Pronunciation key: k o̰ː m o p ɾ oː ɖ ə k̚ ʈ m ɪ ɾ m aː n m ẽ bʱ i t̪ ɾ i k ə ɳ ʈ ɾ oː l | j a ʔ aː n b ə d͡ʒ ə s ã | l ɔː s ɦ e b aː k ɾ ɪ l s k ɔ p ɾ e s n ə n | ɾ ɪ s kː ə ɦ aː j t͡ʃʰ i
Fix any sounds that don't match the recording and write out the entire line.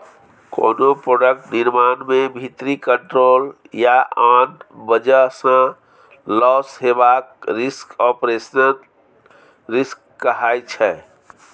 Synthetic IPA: k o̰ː n o p ɾ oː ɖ ə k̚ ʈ n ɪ ɾ m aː n m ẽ bʱ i t̪ ɾ i k ə ɳ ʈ ɾ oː l | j a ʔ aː n b ə d͡ʒ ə s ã | l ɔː s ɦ e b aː k ɾ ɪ s k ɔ p ɾ e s n ə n | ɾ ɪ s kː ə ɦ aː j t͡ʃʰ ɛ